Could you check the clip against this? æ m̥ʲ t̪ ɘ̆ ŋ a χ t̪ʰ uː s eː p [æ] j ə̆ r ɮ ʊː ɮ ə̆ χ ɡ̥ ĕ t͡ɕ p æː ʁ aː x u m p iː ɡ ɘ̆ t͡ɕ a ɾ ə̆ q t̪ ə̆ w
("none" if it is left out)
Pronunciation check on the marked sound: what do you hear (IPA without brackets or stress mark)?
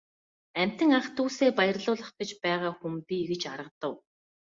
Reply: a